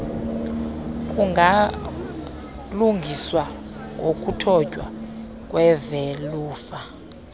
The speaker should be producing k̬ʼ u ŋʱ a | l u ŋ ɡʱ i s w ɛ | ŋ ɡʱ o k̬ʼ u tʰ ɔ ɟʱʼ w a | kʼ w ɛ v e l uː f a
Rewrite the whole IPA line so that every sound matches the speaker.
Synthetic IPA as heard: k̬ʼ u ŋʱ a | l u ŋ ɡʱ i s w a | ŋ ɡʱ o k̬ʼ u tʰ ɔ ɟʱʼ w a | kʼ w ɛ v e l uː f a